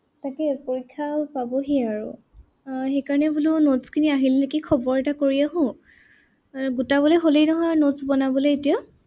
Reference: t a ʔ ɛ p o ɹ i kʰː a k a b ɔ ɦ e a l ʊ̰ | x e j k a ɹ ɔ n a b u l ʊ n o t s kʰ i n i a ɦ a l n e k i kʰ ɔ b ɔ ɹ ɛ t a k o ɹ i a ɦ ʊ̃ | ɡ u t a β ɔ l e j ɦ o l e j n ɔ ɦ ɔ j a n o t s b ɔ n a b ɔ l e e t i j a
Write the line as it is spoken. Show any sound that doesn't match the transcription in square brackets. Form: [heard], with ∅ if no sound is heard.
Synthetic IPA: t a [k] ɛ p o ɹ i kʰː a [p] a b ɔ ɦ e a [ɹ] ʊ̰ | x e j k a ɹ ɔ n [ɛ] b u l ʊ n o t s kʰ i n i a ɦ [i] l n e k i kʰ ɔ b ɔ ɹ ɛ t a k o ɹ i a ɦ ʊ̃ | ɡ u t a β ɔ l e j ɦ o l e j n ɔ ɦ ɔ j a n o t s b ɔ n a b ɔ l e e t i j a